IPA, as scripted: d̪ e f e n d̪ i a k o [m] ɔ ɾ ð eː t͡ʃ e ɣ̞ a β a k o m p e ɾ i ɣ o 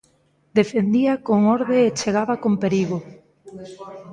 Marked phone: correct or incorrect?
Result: incorrect